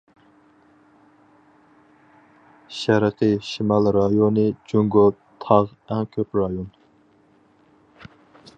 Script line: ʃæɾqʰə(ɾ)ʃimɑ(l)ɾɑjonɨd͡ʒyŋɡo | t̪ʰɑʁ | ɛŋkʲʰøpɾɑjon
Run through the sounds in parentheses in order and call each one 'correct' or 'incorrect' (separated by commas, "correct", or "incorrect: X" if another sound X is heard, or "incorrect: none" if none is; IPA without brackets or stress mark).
incorrect: none, correct